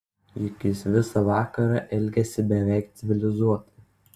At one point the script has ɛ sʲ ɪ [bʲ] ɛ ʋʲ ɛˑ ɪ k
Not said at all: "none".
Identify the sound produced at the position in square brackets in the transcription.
bʲ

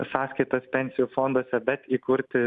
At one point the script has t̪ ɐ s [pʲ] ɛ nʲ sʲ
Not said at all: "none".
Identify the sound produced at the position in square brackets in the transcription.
pʲ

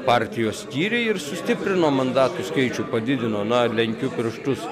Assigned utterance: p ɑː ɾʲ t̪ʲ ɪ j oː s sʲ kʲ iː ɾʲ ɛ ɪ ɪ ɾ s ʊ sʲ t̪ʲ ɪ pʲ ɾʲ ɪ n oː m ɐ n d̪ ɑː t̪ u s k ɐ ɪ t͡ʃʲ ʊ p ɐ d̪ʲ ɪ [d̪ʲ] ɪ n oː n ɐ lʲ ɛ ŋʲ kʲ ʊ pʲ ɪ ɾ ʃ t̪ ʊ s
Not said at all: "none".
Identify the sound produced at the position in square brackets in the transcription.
d̪ʲ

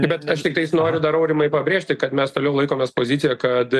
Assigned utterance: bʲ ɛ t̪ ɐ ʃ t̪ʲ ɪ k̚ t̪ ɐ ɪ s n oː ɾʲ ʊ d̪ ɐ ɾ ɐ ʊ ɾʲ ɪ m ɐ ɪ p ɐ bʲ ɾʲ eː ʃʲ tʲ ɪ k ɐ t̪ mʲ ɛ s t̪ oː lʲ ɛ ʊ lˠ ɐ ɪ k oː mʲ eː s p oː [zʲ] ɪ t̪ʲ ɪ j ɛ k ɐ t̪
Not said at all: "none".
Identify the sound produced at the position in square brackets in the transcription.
zʲ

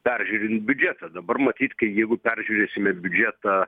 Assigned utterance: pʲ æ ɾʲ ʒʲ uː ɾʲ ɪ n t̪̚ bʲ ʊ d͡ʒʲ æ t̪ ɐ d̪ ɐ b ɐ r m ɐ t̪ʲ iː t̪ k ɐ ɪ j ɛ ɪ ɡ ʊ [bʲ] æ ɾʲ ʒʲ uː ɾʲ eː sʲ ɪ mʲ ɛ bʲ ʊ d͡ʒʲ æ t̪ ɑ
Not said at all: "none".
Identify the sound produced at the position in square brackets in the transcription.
pʲ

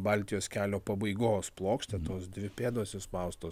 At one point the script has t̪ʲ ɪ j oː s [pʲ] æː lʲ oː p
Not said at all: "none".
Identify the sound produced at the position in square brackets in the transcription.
kʲ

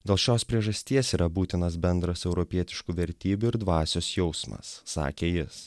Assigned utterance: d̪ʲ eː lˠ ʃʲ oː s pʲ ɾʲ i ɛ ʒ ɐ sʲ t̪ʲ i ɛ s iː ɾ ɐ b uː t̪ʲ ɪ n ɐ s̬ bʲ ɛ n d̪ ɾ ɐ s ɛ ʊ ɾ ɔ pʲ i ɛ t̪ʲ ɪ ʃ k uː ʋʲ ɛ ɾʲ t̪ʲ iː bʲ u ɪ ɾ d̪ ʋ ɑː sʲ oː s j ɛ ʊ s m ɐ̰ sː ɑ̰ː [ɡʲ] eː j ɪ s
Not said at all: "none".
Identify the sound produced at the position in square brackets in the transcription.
kʲ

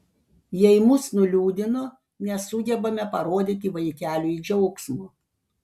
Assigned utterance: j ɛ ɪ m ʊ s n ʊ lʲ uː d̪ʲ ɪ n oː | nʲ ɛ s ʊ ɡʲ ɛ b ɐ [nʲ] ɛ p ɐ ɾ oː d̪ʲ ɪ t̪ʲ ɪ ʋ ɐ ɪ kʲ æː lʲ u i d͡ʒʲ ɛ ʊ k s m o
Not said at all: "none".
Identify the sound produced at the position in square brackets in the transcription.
mʲ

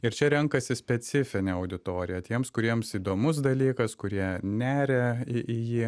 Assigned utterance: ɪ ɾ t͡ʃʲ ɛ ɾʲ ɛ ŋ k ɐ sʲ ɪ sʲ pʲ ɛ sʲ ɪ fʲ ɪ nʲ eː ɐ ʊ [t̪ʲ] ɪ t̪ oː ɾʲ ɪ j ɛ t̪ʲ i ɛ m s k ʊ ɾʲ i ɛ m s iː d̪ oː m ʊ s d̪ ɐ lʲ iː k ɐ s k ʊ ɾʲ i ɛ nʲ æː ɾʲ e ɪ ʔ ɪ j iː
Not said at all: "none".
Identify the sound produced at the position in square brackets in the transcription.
d̪ʲ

